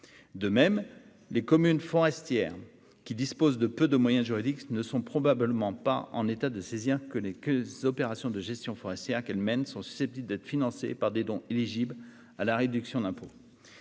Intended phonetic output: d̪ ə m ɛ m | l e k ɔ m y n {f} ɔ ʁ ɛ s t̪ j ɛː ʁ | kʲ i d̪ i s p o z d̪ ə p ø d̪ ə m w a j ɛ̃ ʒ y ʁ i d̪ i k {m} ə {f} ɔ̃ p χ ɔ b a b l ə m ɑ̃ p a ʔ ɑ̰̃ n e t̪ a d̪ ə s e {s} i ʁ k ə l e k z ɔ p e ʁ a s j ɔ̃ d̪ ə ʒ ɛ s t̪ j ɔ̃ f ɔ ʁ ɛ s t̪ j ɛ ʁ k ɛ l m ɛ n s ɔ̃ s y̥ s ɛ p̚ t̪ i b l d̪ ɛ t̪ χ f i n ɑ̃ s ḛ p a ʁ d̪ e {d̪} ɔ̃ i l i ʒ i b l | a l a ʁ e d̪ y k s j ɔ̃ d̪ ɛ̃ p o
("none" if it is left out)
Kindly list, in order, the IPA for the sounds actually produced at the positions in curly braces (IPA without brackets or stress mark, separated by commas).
f, n, s, z, d̪